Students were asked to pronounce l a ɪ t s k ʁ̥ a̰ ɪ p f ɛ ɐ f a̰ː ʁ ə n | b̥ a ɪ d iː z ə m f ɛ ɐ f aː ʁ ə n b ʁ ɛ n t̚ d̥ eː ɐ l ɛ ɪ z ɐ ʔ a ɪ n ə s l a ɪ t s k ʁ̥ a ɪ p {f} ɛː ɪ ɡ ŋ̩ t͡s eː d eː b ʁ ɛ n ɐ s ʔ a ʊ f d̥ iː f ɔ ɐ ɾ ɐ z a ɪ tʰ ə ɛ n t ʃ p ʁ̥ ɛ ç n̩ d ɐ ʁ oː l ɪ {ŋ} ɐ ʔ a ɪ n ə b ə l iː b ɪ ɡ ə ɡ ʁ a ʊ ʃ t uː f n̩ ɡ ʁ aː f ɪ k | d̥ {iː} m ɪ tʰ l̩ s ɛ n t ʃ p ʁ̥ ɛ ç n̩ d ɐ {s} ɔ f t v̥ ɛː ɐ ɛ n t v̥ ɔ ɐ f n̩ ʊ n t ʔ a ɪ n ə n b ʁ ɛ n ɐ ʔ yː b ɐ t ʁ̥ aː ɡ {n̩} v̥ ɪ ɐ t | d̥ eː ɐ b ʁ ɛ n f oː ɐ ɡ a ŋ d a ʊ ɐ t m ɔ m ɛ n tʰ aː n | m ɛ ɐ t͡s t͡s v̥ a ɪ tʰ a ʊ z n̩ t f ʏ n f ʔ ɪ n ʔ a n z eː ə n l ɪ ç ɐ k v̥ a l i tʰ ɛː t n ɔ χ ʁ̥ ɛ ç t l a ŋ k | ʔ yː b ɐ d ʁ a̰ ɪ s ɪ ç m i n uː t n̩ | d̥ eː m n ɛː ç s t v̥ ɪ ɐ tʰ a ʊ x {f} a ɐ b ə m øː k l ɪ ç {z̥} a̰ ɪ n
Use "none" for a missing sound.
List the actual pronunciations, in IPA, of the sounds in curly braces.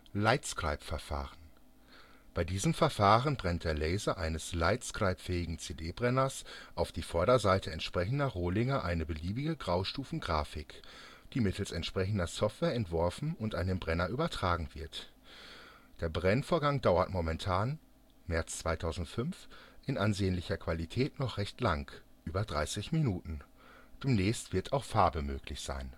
f, ŋ, iː, s, ŋ̩, f, z̥

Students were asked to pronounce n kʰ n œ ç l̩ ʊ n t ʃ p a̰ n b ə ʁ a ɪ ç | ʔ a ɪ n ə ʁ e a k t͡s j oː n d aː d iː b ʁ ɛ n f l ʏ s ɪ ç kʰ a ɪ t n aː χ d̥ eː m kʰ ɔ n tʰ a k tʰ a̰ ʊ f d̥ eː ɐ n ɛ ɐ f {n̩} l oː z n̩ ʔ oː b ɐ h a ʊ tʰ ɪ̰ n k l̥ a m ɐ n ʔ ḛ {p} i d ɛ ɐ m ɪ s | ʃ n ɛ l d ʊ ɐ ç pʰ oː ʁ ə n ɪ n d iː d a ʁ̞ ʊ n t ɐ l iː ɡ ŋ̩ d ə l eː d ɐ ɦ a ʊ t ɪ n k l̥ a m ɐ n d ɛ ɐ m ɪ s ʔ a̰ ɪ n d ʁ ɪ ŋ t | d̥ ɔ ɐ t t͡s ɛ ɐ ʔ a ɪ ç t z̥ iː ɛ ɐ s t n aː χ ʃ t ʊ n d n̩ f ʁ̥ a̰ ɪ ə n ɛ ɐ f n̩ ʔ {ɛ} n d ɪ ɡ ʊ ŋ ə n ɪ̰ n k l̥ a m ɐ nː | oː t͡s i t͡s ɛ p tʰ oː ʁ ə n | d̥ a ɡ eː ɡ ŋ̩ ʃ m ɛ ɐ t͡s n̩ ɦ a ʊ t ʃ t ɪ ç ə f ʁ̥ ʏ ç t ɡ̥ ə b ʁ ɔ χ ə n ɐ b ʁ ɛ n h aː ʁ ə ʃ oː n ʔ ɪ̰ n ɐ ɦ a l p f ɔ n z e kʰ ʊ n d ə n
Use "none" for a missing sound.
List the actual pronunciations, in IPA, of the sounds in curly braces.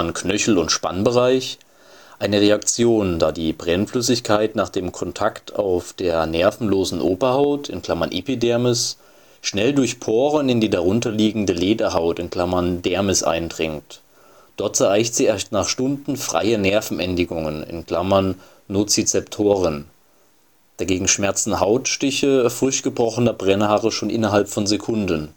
n̩, p, ɛ

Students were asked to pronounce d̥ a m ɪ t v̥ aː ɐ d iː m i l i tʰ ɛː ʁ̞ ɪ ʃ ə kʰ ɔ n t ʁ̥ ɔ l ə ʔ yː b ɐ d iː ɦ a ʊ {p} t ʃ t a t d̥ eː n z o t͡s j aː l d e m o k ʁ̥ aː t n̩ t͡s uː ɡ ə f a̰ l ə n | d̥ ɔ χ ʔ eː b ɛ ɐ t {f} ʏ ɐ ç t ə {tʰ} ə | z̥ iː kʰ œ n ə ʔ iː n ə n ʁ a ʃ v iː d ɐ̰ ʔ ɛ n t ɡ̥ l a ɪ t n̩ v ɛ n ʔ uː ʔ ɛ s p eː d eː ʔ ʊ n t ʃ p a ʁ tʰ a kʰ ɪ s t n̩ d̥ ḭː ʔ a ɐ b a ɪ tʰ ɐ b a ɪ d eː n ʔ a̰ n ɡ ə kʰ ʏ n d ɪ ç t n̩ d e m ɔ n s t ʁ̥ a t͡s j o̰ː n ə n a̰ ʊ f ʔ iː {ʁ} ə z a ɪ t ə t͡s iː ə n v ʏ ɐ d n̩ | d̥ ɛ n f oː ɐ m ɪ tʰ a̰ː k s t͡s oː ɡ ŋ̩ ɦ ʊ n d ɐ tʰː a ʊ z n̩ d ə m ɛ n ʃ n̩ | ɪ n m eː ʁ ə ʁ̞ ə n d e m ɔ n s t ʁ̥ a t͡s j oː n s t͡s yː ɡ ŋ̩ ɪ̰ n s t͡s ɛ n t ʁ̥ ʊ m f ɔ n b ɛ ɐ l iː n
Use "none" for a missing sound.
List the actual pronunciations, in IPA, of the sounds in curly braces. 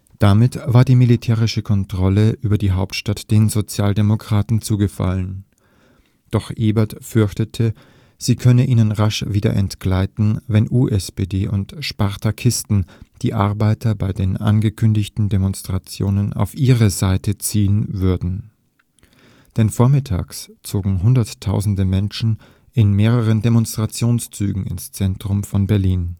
p, f, tʰ, ʁ

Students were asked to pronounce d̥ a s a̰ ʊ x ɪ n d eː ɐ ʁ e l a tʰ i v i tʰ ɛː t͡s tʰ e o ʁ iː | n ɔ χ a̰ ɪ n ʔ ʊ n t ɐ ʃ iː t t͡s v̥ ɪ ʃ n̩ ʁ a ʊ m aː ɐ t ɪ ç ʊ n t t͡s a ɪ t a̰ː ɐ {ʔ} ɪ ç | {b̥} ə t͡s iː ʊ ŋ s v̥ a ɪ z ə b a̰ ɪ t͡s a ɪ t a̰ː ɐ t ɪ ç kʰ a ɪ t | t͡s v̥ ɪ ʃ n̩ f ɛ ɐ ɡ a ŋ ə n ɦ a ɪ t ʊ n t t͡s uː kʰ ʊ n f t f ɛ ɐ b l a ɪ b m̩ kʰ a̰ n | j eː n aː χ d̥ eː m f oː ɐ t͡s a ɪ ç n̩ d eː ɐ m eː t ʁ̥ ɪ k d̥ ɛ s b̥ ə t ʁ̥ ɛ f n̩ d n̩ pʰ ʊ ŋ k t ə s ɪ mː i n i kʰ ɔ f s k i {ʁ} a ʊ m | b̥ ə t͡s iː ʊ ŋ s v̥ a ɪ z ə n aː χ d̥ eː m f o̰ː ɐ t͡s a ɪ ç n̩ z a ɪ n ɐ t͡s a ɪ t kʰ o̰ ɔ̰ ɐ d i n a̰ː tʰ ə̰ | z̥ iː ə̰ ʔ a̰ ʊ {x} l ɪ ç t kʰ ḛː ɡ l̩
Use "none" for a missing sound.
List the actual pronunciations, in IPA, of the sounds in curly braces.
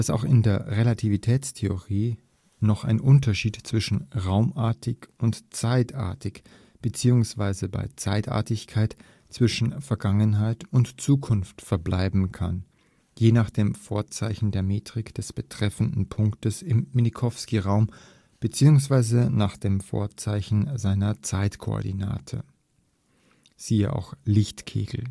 t, b̥, ʁ, x

